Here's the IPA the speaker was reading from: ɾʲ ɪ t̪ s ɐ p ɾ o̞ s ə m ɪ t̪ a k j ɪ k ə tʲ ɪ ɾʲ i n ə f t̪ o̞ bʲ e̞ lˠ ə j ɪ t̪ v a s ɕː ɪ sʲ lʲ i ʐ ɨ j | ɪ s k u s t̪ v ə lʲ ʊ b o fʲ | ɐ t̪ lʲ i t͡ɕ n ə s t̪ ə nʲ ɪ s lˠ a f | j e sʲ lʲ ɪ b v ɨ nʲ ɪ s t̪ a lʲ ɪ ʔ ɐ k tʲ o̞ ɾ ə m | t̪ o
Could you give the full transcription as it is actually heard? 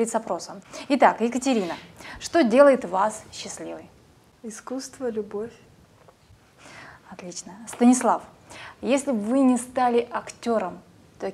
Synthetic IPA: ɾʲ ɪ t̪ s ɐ p ɾ o̞ s ə m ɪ t̪ a k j ɪ k ə tʲ ɪ ɾʲ i n ə ʂ t̪ o̞ dʲ e̞ lˠ ə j ɪ t̪ v a s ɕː ɪ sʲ lʲ i v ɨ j | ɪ s k u s t̪ v ə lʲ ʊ b o fʲ | ɐ t̪ lʲ i t͡ɕ n ə s t̪ ə nʲ ɪ s lˠ a f | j e sʲ lʲ ɪ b v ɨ nʲ ɪ s t̪ a lʲ ɪ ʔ ɐ k tʲ o̞ ɾ ə m | t̪ o